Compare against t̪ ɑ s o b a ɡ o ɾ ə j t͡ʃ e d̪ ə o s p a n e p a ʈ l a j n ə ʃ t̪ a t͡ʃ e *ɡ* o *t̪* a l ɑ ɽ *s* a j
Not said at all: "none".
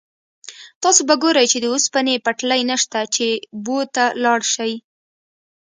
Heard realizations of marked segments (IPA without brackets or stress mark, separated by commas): b, t̪, ʃ